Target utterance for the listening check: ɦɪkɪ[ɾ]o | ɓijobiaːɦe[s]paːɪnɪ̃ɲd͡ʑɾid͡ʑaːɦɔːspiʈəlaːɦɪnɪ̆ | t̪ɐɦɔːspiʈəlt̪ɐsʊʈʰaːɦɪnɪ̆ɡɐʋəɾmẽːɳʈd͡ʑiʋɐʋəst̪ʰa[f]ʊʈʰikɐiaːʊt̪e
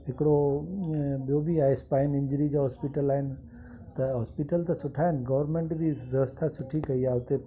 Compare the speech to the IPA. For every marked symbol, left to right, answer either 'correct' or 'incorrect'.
incorrect, correct, incorrect

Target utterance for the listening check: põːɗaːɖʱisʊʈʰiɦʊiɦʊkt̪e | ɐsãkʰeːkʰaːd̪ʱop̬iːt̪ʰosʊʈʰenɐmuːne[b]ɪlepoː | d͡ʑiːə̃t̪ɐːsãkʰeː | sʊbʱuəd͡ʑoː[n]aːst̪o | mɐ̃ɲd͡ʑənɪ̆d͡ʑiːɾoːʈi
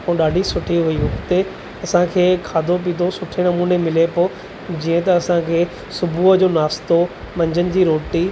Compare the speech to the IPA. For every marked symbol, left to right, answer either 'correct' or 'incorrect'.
incorrect, correct

